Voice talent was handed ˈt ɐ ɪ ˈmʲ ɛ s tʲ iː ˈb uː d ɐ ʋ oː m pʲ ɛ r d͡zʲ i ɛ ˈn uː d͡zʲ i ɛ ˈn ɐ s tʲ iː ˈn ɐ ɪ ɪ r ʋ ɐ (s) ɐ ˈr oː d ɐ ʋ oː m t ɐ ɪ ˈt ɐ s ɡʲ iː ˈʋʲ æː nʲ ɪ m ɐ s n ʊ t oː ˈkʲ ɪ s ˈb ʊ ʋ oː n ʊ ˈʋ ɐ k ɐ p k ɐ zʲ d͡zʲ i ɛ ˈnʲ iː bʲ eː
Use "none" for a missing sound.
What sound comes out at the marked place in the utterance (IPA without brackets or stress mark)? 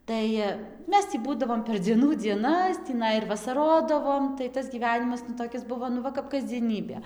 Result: s